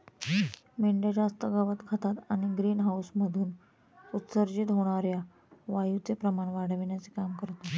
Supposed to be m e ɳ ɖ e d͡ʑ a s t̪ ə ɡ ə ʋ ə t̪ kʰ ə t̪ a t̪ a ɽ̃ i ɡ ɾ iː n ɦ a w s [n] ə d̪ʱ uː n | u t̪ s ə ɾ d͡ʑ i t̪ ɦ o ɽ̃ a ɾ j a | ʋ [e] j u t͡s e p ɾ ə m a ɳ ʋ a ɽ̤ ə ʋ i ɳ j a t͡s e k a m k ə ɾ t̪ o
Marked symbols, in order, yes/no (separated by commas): no, no